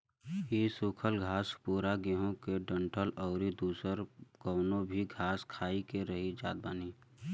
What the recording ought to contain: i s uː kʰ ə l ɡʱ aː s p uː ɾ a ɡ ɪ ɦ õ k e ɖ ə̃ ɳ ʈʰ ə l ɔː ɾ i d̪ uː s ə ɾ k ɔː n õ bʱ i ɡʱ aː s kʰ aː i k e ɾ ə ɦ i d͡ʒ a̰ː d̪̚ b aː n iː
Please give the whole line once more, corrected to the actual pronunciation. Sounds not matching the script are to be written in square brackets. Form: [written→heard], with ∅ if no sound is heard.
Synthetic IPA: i s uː kʰ ə l ɡʱ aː s p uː ɾ a ɡ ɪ ɦ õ k e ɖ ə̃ ɳ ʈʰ ə l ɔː ɾ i d̪ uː s ə ɾ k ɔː n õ bʱ i ɡʱ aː s kʰ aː i k e ɾ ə ɦ i d͡ʒ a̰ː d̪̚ b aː n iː